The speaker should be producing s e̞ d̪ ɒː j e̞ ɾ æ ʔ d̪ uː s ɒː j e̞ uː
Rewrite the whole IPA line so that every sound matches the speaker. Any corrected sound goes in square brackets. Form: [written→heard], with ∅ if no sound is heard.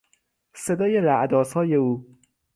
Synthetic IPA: s e̞ d̪ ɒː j e̞ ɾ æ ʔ d̪ [uː→ɒː] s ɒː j e̞ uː